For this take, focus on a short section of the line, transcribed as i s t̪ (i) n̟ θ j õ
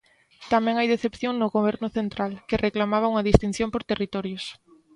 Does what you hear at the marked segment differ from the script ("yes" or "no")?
no